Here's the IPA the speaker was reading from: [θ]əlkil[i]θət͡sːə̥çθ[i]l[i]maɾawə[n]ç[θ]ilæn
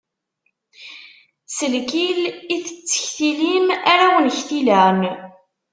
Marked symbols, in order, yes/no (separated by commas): no, yes, yes, yes, yes, yes